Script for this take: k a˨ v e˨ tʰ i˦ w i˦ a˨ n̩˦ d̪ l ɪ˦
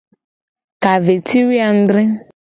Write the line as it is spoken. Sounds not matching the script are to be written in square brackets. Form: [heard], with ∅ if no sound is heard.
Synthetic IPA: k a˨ v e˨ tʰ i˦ w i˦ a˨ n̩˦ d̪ [ɾ] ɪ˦